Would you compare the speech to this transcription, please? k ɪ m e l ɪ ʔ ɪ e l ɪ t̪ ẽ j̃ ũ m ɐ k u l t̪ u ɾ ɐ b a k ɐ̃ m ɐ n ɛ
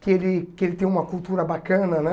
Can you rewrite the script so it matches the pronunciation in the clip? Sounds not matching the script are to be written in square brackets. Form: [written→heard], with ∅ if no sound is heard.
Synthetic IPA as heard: k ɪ [m→∅] e l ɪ [ʔ→k] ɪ e l ɪ t̪ ẽ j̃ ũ m ɐ k u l t̪ u ɾ ɐ b a k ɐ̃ [m→n] ɐ n ɛ

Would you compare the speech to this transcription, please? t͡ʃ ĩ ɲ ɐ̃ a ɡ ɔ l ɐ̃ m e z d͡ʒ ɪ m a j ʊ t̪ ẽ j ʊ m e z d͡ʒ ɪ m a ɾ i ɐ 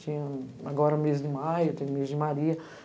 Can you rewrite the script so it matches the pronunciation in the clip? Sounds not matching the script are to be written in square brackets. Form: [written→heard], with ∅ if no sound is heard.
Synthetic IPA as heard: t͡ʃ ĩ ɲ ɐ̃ a ɡ ɔ [l→ɾ] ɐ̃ m e z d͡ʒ ɪ m a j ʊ t̪ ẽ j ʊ m e z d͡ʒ ɪ m a ɾ i ɐ

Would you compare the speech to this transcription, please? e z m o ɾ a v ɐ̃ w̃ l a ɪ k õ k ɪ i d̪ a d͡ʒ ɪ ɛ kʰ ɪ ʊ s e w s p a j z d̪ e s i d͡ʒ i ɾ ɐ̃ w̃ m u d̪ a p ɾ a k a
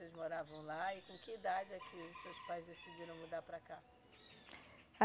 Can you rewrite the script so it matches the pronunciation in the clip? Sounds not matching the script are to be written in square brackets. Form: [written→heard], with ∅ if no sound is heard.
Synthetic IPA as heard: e z m o ɾ a v ɐ̃ w̃ l a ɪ k õ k ɪ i d̪ a d͡ʒ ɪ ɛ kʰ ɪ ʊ s e w s p a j z d̪ e s i d͡ʒ i ɾ ɐ̃ w̃ m u d̪ a p ɾ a k a

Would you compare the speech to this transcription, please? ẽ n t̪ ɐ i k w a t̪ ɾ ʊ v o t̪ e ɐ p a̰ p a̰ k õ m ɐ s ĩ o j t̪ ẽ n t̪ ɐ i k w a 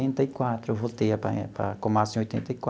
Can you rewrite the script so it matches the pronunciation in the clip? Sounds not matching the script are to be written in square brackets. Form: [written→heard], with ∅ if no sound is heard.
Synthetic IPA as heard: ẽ n t̪ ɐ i k w a t̪ ɾ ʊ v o t̪ e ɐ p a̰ p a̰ k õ m [ɐ→a] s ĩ o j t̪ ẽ n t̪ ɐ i k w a

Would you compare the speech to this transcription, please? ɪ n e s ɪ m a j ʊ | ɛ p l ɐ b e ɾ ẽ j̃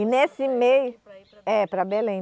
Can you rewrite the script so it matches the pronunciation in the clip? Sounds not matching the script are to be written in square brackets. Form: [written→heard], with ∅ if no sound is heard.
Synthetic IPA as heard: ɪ n e s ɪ m [a→e] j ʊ | ɛ p [l→ɾ] ɐ b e [ɾ→l] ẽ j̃

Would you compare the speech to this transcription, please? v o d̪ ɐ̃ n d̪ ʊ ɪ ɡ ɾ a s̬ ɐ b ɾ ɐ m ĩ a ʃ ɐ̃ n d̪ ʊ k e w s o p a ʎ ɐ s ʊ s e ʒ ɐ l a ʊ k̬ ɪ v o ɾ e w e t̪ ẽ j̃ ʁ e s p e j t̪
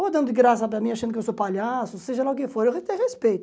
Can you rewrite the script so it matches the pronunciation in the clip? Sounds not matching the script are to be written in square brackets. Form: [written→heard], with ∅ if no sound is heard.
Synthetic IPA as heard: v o d̪ ɐ̃ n d̪ ʊ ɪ ɡ ɾ a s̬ ɐ [b→p] ɾ ɐ m ĩ a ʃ ɐ̃ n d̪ ʊ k e w s o p a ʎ [ɐ→a] s ʊ s e ʒ ɐ l a ʊ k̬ ɪ [v→f] o ɾ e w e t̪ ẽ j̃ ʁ e s p e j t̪

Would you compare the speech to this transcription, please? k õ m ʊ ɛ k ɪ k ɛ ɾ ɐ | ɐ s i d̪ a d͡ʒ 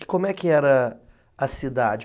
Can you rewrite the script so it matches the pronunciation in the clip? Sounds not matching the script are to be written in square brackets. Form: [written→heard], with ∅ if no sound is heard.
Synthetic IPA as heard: k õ m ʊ ɛ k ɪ [k→∅] ɛ ɾ ɐ | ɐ s i d̪ a d͡ʒ

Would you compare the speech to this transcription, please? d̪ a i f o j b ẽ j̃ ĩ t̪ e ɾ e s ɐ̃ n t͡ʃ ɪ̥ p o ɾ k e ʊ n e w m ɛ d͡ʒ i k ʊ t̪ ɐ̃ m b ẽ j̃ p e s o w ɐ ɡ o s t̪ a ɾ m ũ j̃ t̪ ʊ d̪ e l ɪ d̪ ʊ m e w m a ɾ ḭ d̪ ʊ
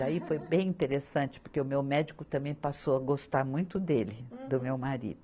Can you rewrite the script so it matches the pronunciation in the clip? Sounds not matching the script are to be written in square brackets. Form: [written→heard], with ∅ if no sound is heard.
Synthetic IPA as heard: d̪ a i f o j b ẽ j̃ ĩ t̪ e ɾ e s ɐ̃ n t͡ʃ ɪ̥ p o ɾ k e ʊ [n→m] e w m ɛ d͡ʒ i k ʊ t̪ ɐ̃ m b ẽ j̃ p [e→a] s o w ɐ ɡ o s t̪ a ɾ m ũ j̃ t̪ ʊ d̪ e l ɪ d̪ ʊ m e w m a ɾ ḭ d̪ ʊ

